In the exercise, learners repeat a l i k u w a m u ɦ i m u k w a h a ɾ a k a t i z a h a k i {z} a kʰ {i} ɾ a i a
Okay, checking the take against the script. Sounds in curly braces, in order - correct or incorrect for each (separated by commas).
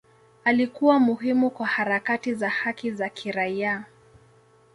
correct, correct